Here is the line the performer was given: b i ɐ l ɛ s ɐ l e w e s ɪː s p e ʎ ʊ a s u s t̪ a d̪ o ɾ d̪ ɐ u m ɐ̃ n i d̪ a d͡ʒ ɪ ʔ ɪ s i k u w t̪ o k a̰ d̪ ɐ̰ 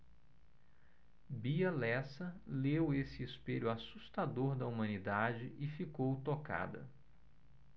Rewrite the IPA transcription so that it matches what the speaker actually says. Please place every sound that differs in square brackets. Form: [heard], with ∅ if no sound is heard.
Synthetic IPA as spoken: b i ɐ l ɛ s ɐ l e w e s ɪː s p e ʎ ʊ a s u s t̪ a d̪ o ɾ d̪ ɐ u m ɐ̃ n i d̪ a d͡ʒ ɪ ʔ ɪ [f] i k [o] w t̪ o k a̰ d̪ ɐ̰